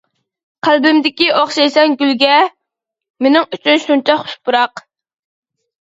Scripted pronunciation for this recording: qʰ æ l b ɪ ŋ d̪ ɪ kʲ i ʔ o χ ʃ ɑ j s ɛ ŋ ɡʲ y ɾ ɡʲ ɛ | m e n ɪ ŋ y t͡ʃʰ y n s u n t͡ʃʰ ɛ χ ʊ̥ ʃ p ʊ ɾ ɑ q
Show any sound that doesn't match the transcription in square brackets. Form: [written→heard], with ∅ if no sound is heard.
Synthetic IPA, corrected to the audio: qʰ æ l b ɪ [ŋ→m] d̪ ɪ kʲ i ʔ o χ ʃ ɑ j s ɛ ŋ ɡʲ y [ɾ→l] ɡʲ ɛ | m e n ɪ ŋ y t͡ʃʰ y n [s→ʃ] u n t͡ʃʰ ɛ χ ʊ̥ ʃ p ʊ ɾ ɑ q